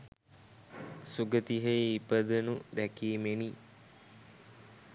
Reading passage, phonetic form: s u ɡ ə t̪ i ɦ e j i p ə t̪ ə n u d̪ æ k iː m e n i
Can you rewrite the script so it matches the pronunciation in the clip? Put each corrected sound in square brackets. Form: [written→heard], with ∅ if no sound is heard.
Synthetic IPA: s u ɡ ə t̪ i ɦ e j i p ə [t̪→d̪] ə n u d̪ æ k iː m e n i